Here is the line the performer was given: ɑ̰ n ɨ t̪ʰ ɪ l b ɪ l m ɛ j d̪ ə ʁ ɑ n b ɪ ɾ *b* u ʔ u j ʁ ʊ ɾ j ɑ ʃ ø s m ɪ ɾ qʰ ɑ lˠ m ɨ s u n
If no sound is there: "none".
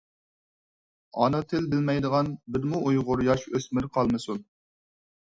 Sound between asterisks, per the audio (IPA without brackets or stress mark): m